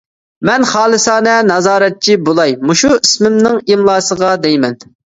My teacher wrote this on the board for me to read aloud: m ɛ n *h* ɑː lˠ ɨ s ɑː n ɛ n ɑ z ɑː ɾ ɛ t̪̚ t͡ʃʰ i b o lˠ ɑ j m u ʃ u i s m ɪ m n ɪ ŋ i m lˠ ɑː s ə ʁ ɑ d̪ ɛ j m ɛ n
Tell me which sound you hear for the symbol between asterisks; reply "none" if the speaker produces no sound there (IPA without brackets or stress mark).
χ